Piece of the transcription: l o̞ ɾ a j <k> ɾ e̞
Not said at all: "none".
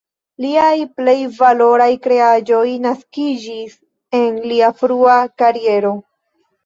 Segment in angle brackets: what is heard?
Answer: k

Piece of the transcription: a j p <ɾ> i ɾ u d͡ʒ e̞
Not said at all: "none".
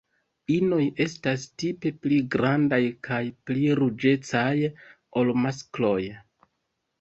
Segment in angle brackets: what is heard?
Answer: l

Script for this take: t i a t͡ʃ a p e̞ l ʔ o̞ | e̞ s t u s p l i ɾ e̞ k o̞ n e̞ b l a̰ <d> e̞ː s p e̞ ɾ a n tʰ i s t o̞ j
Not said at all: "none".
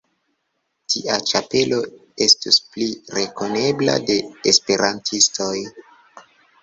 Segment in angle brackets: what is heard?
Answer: d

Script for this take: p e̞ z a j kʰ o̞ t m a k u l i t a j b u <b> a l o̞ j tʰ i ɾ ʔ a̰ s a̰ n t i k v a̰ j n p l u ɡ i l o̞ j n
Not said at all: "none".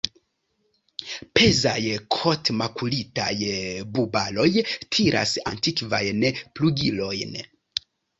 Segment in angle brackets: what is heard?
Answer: b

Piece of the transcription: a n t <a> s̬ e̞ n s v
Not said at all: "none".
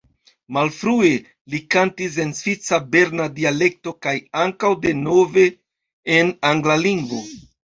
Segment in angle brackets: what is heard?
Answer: i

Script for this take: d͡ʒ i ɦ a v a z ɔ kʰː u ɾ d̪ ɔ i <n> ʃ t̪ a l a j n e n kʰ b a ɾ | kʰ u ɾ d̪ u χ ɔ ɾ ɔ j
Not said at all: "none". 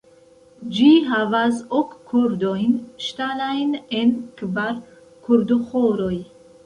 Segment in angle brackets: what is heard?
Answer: n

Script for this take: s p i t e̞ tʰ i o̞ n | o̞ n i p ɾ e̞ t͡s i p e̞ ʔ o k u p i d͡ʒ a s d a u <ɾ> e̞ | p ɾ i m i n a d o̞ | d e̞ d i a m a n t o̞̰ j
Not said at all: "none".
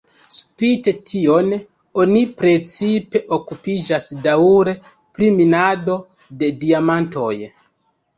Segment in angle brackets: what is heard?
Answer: ɾ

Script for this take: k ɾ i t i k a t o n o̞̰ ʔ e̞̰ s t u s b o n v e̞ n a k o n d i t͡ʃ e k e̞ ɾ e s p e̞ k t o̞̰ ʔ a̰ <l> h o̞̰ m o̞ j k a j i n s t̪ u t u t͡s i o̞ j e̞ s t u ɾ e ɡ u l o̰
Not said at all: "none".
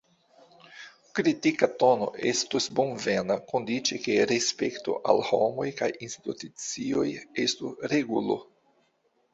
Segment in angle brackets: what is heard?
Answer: l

